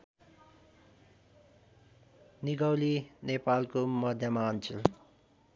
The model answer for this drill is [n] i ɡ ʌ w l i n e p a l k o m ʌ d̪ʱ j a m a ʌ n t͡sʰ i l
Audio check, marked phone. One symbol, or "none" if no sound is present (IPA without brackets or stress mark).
n